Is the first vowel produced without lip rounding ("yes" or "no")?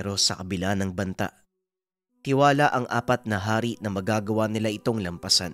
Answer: no